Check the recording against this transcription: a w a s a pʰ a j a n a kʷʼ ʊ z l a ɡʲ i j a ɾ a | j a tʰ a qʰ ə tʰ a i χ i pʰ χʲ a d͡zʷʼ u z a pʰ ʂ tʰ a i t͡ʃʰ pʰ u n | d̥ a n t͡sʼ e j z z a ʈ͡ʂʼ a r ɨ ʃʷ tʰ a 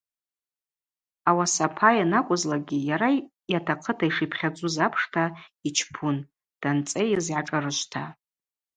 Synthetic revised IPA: a w a s a pʰ a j a n a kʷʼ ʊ z l a ɡʲ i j a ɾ a | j a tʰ a qʰ ə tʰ a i ʂ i pʰ χʲ a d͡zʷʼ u z a pʰ ʂ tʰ a i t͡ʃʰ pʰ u n | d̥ a n t͡sʼ e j z ʕ a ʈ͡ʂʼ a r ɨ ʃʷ tʰ a

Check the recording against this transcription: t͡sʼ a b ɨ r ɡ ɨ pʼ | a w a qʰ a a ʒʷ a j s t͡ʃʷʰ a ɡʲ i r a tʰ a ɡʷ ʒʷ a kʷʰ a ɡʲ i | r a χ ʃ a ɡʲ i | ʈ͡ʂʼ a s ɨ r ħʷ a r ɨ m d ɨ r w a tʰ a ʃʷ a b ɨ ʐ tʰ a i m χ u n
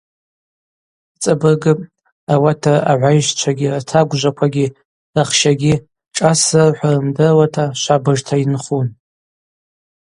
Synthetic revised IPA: t͡sʼ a b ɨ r ɡ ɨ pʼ | a w a tʰ a a ʕʷ a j ʃ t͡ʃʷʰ a ɡʲ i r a tʰ a ɡʷ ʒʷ a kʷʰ a ɡʲ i | r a χ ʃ a ɡʲ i | ʈ͡ʂʼ a s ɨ r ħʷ a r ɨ m d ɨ r w a tʰ a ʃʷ a b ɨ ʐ tʰ a i n χ u n

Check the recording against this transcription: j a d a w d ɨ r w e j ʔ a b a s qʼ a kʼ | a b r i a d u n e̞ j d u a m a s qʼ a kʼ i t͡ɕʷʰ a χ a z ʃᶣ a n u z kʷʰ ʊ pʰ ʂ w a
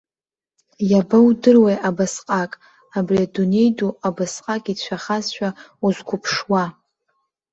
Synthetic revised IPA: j a b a w d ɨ r w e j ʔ a b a s qʼ a kʼ | a b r i a d u n e̞ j d u a b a s qʼ a kʼ i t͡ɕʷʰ a χ a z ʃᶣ a u z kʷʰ ʊ pʰ ʂ w a

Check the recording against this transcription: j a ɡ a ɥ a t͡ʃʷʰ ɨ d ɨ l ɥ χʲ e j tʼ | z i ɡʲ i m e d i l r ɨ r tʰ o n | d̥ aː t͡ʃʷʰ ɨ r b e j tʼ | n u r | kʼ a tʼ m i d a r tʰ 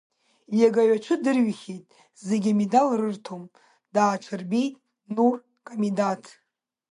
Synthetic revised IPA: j a ɡ a ɥ a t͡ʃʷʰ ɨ d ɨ r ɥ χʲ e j tʼ | z e ɡʲ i m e d a l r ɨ r tʰ o m | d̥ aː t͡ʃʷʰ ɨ r b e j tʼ | n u r | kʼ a m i d a tʰ

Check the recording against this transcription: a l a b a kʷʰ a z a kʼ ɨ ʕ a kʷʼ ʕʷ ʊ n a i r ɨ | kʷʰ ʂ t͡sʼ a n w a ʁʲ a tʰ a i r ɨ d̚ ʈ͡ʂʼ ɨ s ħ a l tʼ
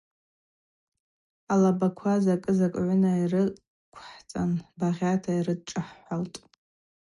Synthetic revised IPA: a l a b a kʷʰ a z a kʼ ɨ z a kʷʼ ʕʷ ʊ n a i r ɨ | kʷʰ ħ t͡sʼ a n b a ʁʲ a tʰ a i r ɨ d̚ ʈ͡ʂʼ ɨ ħ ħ a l tʼ

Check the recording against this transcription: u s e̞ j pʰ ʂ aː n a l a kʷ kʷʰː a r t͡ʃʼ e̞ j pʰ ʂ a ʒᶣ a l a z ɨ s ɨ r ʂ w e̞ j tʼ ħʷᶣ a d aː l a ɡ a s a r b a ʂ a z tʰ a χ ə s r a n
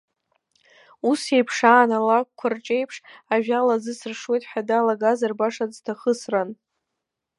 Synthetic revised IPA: u s e̞ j pʰ ʂ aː n a l a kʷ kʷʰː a r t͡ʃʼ e̞ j pʰ ʂ a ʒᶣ a l a z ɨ s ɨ r ʂ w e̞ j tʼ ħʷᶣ a d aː l a ɡ a z a r b a ʂ a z tʰ a χ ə s r a n

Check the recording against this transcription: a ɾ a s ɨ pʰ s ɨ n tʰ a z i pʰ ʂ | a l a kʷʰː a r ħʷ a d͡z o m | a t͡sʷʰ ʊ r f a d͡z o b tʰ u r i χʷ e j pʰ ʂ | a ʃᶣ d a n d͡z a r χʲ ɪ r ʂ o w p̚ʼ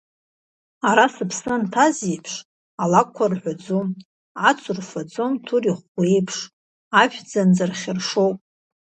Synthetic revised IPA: a ɾ a s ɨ pʰ s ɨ n tʰ a z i pʰ ʂ | a l a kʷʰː a r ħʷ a d͡z o m | a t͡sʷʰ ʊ r f a d͡z o m tʰ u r i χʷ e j pʰ ʂ | a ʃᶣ d͡z a n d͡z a r χʲ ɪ r ʂ o w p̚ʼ

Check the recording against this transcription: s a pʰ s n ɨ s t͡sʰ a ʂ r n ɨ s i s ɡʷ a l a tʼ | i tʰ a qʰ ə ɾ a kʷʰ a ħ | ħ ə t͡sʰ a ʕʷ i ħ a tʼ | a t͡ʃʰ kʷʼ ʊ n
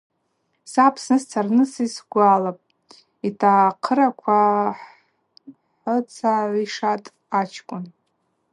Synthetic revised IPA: s a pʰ s n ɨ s t͡sʰ a r n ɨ s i s ɡʷ a l a pʼ | i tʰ a qʰ ə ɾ a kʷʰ a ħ | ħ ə t͡sʰ a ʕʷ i ʂ a tʼ | a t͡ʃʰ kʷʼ ʊ n

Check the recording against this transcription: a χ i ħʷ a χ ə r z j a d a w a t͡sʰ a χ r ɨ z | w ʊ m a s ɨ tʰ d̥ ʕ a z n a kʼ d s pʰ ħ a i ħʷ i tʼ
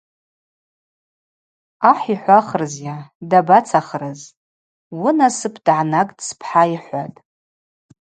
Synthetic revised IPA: a ħ i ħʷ a χ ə r z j a d a b a t͡sʰ a χ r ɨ z | w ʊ n a s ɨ pʰ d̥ ʕ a n a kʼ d s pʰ ħ a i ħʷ a tʼ

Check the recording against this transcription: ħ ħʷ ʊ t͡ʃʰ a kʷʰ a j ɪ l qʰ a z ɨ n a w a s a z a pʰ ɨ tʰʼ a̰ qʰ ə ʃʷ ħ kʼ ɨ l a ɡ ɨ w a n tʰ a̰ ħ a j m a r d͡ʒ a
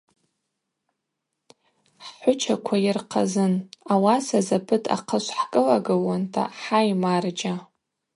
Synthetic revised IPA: ħ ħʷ ʊ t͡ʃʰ a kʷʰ a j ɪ r qʰ a z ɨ n a w a s a z a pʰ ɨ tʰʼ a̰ qʰ ə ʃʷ ħ kʼ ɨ l a ɡ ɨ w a n tʰ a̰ ħ a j m a r d͡ʒ a

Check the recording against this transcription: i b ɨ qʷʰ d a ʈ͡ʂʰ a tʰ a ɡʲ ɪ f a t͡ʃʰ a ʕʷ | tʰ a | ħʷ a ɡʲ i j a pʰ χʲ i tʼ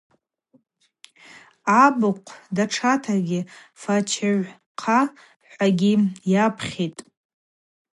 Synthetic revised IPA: a b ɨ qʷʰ d a ʈ͡ʂʰ a tʰ a ɡʲ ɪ f a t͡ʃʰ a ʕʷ | qʰ a | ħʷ a ɡʲ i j a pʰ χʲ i tʼ

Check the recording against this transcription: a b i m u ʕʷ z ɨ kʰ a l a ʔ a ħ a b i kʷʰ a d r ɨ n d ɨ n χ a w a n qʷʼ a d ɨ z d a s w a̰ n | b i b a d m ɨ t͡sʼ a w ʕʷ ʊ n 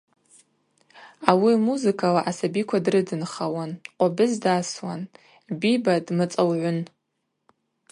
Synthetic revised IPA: a w i m u z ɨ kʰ a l a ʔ a s a b i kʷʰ a d r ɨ d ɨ n χ a w a n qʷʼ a b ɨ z d a s w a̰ n | b i b a d m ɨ t͡sʼ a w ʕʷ ʊ n

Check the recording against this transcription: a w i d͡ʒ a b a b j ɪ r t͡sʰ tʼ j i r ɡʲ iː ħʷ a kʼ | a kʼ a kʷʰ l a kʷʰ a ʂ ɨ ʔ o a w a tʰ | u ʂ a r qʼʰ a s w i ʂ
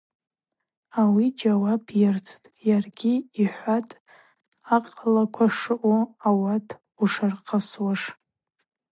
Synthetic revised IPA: a w i d͡ʒ a w a b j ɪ r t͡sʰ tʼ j a r ɡʲ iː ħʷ a tʼ | a qʼ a l a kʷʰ a ʂ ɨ ʔ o a w a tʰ | u ʂ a r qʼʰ a s w a ʂ

